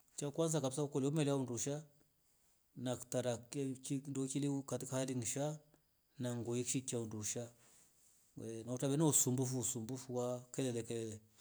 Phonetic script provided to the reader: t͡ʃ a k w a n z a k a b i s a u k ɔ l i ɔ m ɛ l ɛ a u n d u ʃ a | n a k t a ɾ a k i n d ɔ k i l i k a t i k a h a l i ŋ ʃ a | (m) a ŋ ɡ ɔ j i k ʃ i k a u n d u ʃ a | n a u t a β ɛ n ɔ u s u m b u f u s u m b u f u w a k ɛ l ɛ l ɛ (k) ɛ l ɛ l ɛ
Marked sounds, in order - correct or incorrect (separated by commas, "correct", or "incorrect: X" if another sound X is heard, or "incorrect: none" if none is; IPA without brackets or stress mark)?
incorrect: n, correct